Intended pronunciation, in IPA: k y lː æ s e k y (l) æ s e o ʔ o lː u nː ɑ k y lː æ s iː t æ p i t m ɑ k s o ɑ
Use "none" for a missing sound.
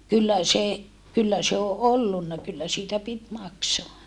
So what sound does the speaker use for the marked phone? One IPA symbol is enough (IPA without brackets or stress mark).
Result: lː